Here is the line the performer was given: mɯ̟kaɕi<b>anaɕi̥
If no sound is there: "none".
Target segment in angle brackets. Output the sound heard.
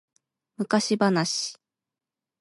b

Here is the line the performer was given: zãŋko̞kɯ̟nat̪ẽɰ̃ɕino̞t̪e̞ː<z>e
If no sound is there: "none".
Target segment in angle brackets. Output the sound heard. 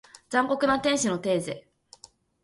z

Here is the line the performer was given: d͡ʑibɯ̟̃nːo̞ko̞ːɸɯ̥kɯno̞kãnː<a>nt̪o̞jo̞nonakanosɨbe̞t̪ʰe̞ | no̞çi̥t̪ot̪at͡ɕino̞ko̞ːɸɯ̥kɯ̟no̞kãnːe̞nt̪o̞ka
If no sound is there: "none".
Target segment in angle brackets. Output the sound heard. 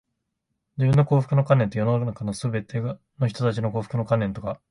e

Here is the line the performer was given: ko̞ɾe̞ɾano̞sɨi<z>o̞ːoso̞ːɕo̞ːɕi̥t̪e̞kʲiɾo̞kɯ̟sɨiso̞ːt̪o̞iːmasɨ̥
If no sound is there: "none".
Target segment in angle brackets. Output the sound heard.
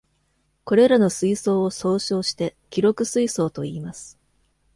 s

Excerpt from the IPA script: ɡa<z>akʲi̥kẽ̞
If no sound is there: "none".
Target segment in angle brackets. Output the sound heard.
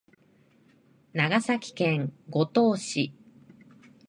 s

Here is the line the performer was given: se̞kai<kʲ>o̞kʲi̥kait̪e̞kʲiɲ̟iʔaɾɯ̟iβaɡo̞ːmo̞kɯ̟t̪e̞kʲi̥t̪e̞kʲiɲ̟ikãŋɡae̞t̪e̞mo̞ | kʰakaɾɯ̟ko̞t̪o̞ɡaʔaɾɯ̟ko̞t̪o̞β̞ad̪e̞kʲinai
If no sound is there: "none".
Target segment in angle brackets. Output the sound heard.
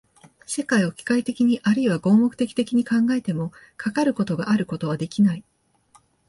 none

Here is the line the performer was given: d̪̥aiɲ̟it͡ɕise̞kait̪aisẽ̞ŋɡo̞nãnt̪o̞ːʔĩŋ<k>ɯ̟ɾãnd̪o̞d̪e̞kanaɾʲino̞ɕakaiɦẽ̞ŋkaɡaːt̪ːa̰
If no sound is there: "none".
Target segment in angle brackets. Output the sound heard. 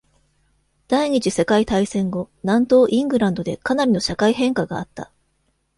ɡ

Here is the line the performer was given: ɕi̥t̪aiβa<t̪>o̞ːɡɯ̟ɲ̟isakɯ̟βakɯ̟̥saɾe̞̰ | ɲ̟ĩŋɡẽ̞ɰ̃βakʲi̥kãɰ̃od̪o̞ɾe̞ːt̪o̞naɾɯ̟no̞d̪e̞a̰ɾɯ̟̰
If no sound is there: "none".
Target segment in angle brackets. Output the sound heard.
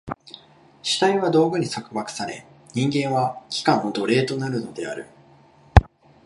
d̪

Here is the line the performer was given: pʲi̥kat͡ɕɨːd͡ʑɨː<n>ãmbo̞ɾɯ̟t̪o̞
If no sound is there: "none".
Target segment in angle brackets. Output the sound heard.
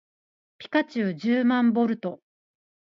m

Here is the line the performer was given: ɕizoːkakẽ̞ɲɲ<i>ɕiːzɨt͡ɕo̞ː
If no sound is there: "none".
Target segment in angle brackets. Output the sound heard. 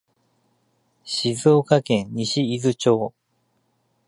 i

